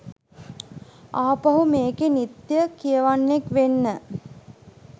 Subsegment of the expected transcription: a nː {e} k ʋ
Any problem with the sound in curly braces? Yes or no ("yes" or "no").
no